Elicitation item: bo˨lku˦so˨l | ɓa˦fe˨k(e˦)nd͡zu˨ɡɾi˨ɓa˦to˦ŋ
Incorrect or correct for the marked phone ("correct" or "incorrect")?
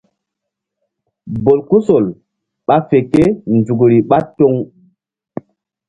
correct